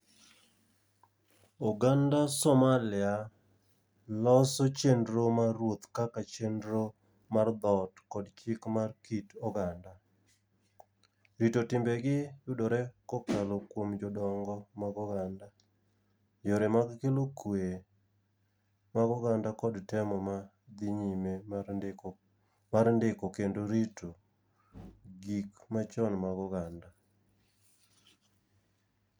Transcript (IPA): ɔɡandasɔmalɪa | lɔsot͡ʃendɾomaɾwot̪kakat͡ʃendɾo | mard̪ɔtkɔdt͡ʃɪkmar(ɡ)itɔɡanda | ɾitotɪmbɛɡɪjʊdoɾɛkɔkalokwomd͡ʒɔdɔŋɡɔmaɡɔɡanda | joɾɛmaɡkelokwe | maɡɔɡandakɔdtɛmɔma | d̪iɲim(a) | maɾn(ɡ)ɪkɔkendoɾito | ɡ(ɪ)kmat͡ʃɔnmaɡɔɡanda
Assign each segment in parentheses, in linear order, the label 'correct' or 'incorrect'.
incorrect: k, incorrect: e, incorrect: d, incorrect: i

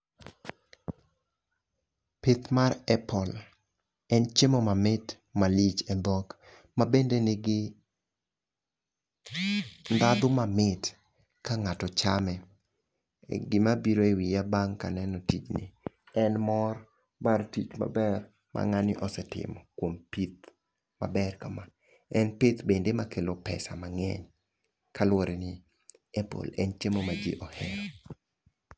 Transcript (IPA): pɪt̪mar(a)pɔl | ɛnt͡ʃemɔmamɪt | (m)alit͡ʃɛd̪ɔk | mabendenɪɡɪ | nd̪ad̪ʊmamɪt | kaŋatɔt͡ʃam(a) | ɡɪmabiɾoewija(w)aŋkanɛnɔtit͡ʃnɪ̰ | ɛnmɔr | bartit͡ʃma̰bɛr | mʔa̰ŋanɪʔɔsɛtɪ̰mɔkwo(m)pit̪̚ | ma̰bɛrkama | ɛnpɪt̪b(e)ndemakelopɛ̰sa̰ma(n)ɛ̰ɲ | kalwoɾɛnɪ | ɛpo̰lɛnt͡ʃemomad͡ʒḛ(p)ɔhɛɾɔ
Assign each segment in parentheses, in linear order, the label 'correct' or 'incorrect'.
incorrect: ɛ, correct, incorrect: ɛ, incorrect: b, correct, correct, incorrect: ŋ, incorrect: ʔ

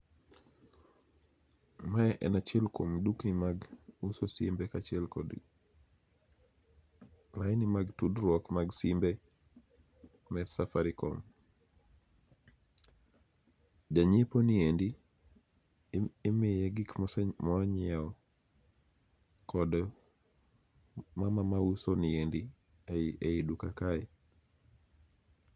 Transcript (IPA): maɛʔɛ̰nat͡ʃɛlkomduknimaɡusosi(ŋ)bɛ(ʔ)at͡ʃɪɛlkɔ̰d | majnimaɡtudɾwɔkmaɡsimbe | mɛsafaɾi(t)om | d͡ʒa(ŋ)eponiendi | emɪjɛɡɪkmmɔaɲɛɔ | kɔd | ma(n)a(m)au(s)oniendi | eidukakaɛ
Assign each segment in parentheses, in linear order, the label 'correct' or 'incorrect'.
incorrect: m, incorrect: k, incorrect: k, incorrect: ɲ, incorrect: m, correct, correct

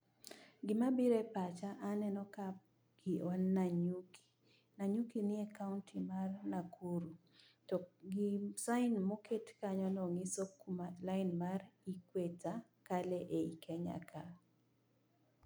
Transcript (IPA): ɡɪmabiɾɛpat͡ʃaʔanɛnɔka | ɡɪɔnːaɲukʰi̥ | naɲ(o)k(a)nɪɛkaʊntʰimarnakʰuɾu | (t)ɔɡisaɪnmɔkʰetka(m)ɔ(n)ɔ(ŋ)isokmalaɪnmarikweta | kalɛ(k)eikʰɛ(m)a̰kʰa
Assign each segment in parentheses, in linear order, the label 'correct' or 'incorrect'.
incorrect: u, incorrect: i, correct, incorrect: ɲ, correct, correct, incorrect: ʔ, incorrect: ɲ

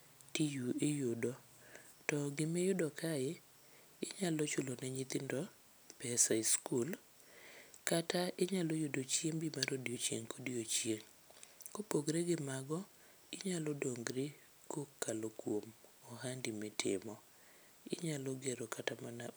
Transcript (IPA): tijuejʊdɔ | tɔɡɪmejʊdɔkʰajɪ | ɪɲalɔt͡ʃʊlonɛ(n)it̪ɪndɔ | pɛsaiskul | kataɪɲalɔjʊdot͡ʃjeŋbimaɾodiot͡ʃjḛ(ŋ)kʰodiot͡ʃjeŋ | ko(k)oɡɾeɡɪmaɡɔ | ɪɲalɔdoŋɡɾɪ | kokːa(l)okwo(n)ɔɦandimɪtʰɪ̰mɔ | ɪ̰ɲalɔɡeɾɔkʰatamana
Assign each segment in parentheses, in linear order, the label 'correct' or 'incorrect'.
incorrect: ɲ, correct, incorrect: p, correct, incorrect: m

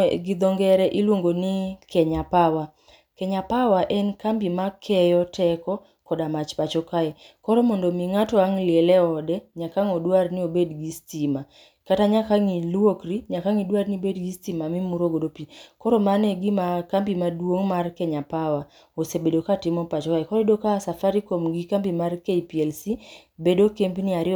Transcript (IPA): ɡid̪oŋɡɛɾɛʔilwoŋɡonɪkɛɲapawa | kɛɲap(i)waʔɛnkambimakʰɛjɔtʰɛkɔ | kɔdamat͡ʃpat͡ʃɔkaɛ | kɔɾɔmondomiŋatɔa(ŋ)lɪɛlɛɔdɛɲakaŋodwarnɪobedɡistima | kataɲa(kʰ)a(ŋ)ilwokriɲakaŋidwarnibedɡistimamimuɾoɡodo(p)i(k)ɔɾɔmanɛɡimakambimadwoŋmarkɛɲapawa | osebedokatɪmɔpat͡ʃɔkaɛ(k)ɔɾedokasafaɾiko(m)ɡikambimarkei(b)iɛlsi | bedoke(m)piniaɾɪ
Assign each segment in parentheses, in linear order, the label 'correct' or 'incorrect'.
incorrect: a, correct, incorrect: k, correct, correct, correct, correct, correct, incorrect: p, correct

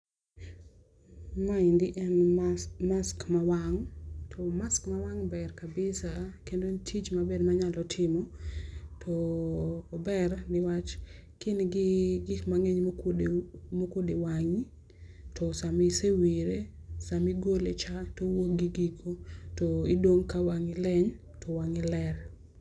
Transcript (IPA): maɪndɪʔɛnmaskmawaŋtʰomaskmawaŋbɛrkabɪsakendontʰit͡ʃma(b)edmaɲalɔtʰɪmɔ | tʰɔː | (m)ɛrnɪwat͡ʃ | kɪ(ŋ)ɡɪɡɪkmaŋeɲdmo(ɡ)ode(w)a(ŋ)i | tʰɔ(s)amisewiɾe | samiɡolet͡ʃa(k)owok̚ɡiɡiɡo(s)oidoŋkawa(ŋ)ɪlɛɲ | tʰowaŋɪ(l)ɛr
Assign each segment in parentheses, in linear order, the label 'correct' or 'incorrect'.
correct, incorrect: b, incorrect: n, incorrect: k, correct, correct, correct, incorrect: t, incorrect: t, correct, correct

